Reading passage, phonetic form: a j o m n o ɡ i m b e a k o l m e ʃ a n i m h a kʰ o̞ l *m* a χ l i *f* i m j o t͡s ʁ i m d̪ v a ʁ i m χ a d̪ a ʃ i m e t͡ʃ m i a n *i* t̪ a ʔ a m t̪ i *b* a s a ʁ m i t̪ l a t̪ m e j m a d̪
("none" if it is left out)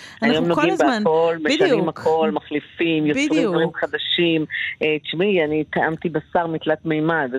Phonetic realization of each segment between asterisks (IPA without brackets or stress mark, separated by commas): m, f, i, b